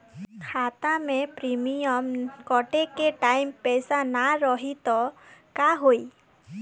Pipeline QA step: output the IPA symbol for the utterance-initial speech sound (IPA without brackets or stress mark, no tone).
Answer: kʰ